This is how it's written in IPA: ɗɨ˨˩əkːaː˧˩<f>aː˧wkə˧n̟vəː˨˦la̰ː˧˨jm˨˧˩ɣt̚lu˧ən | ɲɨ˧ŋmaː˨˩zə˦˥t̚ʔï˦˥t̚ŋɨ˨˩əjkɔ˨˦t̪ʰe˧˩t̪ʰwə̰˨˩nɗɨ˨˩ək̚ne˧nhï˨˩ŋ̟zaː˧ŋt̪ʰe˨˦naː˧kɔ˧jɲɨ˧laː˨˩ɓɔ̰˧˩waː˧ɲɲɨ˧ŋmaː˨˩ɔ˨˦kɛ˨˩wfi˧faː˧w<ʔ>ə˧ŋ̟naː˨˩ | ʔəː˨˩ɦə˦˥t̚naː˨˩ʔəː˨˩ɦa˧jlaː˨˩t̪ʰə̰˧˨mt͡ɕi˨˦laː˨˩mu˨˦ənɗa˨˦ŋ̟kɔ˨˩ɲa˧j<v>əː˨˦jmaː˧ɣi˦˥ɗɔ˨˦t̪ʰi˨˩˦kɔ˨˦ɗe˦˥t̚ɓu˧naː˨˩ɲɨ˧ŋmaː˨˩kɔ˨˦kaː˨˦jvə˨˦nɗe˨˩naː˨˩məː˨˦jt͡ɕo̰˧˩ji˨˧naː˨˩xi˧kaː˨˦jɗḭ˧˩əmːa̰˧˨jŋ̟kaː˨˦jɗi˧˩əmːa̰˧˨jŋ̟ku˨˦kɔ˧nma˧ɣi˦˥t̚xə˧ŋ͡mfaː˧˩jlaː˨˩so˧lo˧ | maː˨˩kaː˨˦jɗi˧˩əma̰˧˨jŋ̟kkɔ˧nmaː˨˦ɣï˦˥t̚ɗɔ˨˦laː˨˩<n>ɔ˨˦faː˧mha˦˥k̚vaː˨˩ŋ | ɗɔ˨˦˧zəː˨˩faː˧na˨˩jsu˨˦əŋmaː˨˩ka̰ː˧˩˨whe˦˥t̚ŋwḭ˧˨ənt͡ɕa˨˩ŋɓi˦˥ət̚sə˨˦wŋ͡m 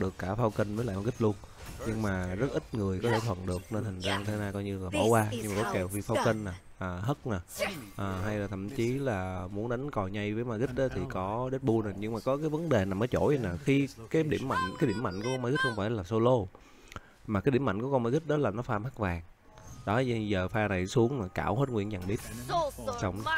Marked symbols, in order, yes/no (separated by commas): yes, no, yes, yes